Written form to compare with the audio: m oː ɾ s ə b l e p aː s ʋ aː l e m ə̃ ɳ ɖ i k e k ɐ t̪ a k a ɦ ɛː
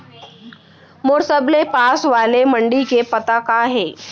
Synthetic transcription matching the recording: m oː ɾ s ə b l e p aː s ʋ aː l e m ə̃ ɳ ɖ i k e p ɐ t̪ a k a ɦ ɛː